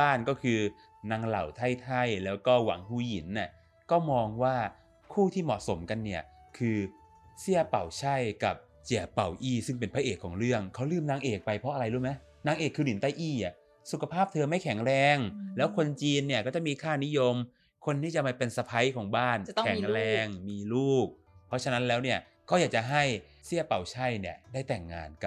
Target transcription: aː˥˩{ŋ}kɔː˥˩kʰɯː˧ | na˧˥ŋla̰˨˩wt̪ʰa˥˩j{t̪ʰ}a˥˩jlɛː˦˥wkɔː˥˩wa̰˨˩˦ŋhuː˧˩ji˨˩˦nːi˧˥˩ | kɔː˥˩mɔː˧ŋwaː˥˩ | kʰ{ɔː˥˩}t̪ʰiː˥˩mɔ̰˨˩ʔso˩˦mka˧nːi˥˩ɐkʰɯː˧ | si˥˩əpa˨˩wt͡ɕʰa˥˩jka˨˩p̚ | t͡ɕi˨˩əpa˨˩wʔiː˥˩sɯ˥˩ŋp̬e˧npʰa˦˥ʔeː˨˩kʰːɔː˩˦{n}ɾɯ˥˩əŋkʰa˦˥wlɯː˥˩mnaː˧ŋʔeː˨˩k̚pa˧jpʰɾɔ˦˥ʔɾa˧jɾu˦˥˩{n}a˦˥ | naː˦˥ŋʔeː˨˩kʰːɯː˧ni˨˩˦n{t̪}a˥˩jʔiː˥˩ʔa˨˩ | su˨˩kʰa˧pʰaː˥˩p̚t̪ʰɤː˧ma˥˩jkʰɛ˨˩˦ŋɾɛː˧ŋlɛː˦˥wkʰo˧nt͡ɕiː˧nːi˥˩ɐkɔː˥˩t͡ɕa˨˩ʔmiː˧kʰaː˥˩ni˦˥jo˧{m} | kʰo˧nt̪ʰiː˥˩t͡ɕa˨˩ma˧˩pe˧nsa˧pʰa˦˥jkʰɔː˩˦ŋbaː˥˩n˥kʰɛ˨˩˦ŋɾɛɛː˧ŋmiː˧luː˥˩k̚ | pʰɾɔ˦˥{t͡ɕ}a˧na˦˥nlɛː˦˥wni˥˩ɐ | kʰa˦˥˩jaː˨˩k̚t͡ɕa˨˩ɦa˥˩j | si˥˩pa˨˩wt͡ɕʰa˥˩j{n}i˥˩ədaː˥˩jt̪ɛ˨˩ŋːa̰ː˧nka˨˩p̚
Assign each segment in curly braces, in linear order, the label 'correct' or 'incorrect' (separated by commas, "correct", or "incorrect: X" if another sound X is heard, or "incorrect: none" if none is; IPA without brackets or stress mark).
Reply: incorrect: n, correct, incorrect: uː˥˩, incorrect: ŋ, incorrect: m, correct, correct, incorrect: t͡ɕʰ, correct